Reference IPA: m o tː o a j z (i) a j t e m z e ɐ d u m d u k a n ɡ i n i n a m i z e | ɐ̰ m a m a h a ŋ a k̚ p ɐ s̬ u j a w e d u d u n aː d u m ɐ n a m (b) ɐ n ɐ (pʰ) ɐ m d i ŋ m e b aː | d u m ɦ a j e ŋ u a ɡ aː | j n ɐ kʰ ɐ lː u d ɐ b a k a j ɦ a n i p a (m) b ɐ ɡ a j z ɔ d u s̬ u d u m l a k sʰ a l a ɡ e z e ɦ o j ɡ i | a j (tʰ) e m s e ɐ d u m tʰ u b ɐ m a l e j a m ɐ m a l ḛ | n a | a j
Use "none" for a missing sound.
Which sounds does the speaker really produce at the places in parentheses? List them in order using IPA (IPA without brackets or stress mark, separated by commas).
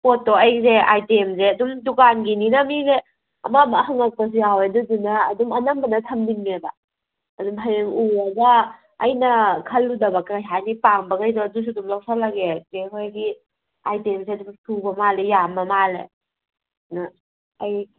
e, b, tʰ, ŋ, t